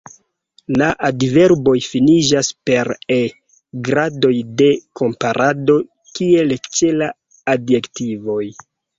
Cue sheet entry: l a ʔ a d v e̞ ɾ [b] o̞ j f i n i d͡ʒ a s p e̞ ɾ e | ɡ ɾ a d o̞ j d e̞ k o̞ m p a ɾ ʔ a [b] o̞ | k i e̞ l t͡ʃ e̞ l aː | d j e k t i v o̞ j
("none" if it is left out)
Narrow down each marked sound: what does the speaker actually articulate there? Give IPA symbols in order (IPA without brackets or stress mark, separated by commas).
b, d